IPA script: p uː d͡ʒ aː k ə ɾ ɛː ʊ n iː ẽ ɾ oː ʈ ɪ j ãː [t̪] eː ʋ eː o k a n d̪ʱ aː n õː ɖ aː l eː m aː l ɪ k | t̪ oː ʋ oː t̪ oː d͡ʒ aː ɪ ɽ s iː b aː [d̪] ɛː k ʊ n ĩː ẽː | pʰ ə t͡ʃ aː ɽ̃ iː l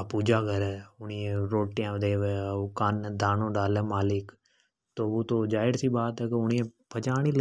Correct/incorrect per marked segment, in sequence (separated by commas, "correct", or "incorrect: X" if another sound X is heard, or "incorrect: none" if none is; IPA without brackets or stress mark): incorrect: d̪, incorrect: t̪